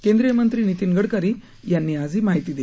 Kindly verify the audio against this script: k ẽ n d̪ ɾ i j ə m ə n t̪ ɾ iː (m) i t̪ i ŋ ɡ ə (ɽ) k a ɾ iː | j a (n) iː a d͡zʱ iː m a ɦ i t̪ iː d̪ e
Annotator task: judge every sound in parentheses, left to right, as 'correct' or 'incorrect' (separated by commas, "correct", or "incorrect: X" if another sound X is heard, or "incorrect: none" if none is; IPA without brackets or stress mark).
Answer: incorrect: n, correct, incorrect: nː